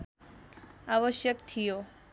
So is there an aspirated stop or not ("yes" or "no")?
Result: yes